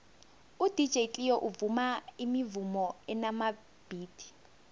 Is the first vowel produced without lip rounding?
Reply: no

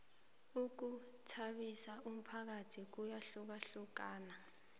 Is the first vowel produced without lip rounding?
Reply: no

